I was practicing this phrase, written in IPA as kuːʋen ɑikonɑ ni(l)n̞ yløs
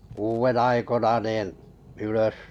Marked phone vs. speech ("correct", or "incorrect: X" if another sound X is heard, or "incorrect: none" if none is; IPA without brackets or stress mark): incorrect: none